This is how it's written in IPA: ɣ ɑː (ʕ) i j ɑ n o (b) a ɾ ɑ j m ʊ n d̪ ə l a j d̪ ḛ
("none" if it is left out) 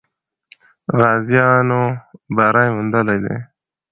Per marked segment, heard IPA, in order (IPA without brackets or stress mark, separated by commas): z, b